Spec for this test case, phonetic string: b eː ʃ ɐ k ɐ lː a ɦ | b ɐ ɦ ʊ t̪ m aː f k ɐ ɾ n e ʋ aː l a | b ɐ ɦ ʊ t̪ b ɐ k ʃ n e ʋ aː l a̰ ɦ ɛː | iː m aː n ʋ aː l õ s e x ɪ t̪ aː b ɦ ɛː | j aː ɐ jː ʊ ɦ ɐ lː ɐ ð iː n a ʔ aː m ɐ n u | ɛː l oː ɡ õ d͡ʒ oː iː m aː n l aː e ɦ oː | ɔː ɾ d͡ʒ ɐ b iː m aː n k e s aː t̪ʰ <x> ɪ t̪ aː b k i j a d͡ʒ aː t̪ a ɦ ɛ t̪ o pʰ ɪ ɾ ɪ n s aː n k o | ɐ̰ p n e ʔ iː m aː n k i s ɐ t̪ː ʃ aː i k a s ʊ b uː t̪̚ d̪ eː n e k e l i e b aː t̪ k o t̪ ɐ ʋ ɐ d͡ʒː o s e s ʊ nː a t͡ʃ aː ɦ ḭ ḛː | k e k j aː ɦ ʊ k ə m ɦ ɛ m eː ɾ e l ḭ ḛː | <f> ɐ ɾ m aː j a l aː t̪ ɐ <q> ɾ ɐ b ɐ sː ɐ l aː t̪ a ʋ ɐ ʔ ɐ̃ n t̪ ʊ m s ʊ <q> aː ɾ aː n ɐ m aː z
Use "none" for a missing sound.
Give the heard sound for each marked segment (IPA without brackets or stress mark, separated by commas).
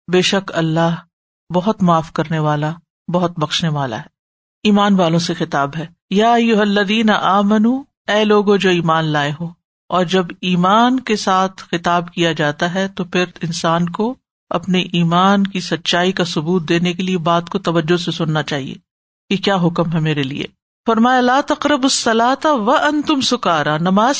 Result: x, f, q, k